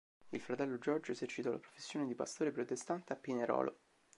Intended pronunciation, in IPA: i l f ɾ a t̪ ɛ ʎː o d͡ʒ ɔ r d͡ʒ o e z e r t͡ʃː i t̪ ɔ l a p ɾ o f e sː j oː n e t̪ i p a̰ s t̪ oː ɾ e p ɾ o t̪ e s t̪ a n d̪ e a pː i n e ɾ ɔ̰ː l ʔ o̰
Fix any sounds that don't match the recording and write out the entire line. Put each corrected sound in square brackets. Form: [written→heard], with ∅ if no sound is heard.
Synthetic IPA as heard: i l f ɾ a t̪ ɛ [ʎː→lː] o d͡ʒ ɔ r d͡ʒ o e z e r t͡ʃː i t̪ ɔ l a p ɾ o f e sː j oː n e [t̪→d̪] i p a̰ s t̪ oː ɾ e p ɾ o t̪ e s t̪ a n [d̪→t̪] e a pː i n e ɾ ɔ̰ː l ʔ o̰

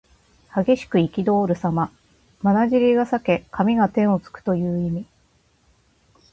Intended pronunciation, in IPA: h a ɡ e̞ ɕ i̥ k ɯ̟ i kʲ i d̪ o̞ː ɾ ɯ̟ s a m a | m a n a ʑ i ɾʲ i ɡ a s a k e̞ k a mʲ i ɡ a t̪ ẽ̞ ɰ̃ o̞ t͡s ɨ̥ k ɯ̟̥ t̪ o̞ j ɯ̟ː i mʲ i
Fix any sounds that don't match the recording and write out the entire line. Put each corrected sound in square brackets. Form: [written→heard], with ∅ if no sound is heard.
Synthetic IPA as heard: h a ɡ e̞ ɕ i̥ k ɯ̟ i kʲ i d̪ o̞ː ɾ ɯ̟ s a m a | m a n a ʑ i ɾʲ i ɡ a s a k e̞ k a mʲ i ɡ a t̪ ẽ̞ ɰ̃ o̞ t͡s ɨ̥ k ɯ̟̥ t̪ o̞ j ɯ̟ː i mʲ i

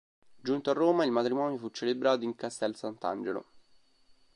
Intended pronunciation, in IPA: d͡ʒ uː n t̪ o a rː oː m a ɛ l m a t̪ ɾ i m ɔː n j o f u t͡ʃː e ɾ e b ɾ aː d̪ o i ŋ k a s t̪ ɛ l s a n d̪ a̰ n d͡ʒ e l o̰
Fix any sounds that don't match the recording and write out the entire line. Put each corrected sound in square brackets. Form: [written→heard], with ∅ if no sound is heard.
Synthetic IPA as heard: d͡ʒ [uː→u] n t̪ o a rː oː m a [ɛ→i] l m a t̪ ɾ i m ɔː n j o f u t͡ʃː e [ɾ→l] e b ɾ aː [d̪→t̪] o i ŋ k a s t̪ ɛ l s a n [d̪→t̪] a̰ n d͡ʒ e l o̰

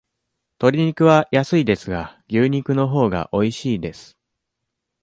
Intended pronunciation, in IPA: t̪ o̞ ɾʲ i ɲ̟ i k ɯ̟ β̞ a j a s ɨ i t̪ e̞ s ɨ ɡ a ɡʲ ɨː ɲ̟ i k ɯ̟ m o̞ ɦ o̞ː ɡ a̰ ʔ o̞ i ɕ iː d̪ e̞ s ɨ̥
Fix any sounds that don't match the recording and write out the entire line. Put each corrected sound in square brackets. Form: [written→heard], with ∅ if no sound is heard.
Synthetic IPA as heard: t̪ o̞ ɾʲ i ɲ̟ i k ɯ̟ β̞ a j a s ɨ i [t̪→d̪] e̞ s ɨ ɡ a ɡʲ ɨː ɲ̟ i k ɯ̟ [m→n] o̞ ɦ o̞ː ɡ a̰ ʔ o̞ i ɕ iː d̪ e̞ s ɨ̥

